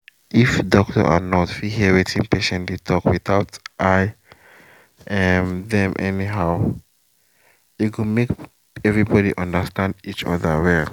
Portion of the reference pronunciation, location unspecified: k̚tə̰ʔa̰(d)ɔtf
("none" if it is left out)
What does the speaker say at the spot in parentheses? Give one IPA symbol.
n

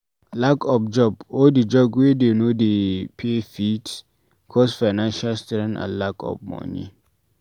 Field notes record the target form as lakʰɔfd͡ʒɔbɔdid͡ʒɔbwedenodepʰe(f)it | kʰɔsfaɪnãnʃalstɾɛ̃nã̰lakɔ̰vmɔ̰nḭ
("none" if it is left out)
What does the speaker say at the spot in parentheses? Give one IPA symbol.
f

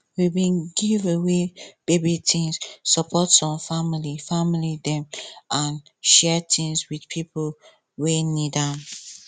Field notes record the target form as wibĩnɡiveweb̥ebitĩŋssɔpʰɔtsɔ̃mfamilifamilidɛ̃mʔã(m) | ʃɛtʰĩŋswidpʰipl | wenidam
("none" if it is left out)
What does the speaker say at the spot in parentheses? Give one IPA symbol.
n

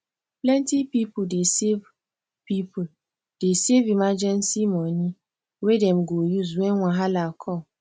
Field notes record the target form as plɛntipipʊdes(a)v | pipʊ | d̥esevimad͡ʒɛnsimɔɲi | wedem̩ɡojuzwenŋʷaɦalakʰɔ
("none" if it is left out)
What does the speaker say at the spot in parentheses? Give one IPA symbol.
e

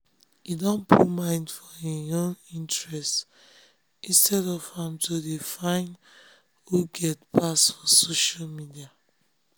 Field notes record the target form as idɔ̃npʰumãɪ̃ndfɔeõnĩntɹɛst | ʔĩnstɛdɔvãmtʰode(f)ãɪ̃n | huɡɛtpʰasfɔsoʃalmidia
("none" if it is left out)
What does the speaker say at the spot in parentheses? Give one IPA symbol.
f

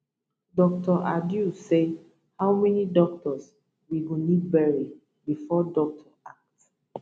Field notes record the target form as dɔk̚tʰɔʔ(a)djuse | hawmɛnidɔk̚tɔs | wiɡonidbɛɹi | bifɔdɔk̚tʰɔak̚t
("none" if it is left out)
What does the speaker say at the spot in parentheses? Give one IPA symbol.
a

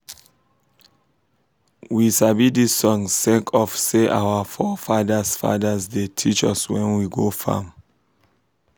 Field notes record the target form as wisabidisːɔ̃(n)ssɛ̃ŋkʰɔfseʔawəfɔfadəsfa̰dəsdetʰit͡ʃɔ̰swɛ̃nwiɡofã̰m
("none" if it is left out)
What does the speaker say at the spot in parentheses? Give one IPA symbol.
ŋ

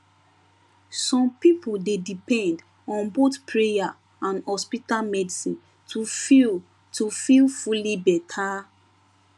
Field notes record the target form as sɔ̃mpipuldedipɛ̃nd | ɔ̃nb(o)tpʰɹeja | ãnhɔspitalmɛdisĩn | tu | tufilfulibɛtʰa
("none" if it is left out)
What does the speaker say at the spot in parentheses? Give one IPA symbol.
o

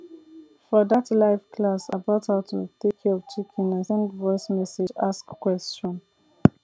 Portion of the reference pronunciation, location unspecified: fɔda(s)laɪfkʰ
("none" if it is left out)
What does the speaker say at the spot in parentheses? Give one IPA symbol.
t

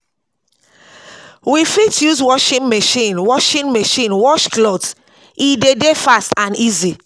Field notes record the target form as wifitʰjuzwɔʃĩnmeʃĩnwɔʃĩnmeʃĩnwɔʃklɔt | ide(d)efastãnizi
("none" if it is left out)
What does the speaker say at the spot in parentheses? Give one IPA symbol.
d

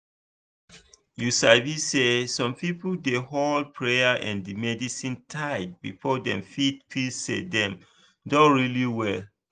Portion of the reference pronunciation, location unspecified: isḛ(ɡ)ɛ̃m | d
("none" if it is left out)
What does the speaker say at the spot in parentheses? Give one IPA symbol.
d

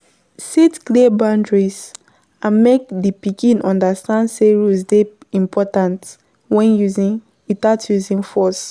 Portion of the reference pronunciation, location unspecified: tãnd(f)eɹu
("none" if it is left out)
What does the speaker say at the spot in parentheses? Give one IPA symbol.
s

